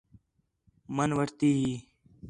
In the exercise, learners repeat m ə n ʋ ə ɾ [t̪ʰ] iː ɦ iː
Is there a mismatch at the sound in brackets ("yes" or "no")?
yes